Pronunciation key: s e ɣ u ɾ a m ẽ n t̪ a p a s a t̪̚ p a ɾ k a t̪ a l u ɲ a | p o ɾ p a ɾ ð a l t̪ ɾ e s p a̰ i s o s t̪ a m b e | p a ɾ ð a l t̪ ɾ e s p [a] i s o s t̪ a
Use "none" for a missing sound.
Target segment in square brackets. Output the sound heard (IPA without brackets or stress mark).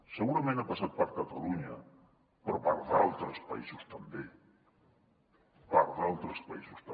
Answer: a